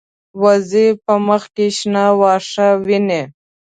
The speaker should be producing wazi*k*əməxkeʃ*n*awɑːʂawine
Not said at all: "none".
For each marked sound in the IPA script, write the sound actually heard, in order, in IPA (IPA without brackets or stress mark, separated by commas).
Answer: p, n